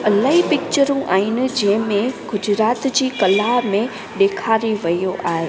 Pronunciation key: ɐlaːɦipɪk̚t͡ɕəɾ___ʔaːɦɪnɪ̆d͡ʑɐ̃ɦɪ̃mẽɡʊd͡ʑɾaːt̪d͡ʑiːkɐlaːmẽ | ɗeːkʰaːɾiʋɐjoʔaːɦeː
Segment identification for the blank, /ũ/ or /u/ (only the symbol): ũ